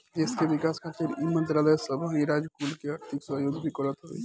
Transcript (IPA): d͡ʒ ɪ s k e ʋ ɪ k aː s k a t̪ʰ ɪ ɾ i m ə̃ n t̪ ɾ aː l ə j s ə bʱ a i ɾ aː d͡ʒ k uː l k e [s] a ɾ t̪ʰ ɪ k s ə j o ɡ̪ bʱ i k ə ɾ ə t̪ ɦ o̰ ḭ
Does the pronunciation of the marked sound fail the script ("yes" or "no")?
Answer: yes